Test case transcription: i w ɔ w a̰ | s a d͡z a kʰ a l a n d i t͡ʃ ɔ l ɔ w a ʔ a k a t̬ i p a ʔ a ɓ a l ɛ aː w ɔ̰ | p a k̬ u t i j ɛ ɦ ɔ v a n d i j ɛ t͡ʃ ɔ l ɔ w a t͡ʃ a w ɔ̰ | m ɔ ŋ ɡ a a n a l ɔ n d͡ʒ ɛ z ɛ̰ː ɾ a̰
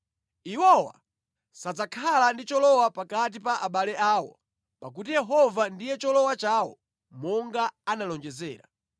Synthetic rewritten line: i w ɔ w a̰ | s a d͡z a kʰ a l a n d i t͡ʃ ɔ l ɔ w a p a k a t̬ i p a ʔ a ɓ a l ɛ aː w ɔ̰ | p a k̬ u t i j ɛ ɦ ɔ v a n d i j ɛ t͡ʃ ɔ l ɔ w a t͡ʃ a w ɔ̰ | m ɔ ŋ ɡ a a n a l ɔ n d͡ʒ ɛ z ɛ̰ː ɾ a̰